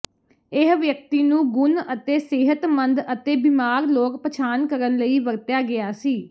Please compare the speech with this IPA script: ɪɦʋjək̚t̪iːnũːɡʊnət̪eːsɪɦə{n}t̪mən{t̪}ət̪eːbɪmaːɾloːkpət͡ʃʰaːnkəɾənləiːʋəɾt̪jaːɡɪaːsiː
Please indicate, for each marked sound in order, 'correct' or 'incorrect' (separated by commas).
incorrect, incorrect